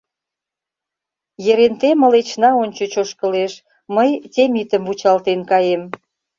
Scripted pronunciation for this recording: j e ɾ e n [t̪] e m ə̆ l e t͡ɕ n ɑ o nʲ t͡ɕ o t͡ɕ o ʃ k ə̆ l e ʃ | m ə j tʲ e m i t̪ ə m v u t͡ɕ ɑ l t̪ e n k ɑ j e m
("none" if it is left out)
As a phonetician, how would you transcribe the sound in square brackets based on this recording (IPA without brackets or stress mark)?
t̪